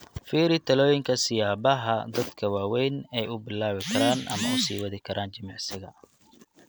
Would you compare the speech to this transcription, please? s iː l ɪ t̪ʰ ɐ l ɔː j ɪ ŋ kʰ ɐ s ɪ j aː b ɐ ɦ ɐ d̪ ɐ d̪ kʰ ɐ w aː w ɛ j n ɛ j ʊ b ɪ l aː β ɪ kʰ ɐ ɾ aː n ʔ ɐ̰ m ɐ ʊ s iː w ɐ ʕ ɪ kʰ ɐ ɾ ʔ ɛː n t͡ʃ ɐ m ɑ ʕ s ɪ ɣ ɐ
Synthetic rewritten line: f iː ɾ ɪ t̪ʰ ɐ l ɔː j ɪ ŋ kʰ ɐ s ɪ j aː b ɐ ɦ ɐ d̪ ɐ d̪ kʰ ɐ w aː w ɛ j n ɛ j ʊ b ɪ l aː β ɪ kʰ ɐ ɾ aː n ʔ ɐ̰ m ɐ ʊ s iː w ɐ ð ɪ kʰ ɐ ɾ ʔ aː n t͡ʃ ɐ m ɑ ʕ s ɪ ɣ ɐ